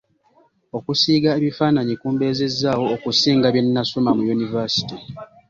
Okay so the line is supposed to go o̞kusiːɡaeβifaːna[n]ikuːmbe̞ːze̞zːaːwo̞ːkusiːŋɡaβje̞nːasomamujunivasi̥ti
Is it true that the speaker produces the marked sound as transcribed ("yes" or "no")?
no